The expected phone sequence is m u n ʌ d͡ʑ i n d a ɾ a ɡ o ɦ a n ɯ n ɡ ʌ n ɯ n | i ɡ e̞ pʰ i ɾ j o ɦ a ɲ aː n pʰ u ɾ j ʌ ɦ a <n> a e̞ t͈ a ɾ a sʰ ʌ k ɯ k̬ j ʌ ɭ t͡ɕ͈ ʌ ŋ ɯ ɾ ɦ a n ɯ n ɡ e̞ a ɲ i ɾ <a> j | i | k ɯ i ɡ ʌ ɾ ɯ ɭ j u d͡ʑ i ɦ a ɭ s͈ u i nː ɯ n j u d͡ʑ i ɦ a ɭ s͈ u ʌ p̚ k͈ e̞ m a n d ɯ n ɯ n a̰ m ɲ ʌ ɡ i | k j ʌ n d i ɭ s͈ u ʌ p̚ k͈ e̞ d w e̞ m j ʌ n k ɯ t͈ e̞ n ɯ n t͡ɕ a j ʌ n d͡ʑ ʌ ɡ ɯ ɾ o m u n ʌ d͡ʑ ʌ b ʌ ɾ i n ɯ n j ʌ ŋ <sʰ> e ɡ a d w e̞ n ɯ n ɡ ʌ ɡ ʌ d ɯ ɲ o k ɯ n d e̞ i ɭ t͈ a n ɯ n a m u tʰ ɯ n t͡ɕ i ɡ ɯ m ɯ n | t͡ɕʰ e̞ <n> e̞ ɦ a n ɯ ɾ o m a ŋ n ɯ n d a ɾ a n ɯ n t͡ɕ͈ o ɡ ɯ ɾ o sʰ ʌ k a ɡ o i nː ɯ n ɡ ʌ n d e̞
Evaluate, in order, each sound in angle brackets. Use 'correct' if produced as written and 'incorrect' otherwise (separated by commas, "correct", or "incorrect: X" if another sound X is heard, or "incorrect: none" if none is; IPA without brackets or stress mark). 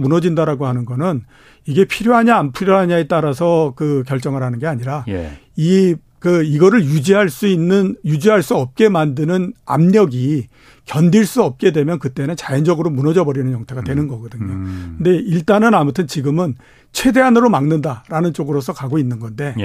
incorrect: ɲ, correct, incorrect: tʰ, incorrect: d